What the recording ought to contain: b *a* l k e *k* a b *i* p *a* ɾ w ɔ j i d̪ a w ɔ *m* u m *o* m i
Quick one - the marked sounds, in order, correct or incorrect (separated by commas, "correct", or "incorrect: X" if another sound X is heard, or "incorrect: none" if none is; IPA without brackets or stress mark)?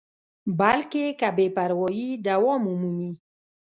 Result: correct, correct, incorrect: e, correct, correct, incorrect: u